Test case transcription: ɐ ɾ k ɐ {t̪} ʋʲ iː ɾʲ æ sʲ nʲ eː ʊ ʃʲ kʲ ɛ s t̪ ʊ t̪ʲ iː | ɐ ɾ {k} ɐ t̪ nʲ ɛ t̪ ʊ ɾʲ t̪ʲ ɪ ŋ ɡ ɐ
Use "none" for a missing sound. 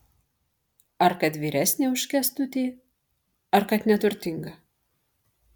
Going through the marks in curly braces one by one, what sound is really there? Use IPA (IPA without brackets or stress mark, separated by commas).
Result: t̪, k